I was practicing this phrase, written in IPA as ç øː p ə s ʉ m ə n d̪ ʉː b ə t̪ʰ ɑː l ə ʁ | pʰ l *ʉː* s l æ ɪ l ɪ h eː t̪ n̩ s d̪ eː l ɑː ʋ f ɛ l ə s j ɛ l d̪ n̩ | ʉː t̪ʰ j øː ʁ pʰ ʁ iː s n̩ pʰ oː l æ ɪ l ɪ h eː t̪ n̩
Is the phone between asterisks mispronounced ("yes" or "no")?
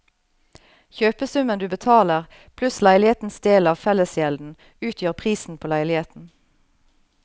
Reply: yes